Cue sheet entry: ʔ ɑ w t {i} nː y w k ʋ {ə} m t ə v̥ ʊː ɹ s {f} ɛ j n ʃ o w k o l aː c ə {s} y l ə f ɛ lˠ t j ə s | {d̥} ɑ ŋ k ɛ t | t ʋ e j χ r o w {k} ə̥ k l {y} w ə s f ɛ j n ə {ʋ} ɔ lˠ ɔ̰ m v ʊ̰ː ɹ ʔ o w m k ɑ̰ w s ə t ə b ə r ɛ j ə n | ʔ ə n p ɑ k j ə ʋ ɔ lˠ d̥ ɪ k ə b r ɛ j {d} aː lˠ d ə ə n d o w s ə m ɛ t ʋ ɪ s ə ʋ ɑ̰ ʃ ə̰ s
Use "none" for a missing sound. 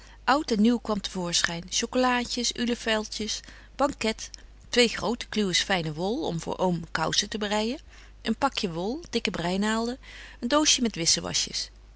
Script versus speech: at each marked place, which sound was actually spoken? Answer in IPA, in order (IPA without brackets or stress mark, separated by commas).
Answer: ɛ, ɑ, χ, s, b̥, t, y, ʋ, n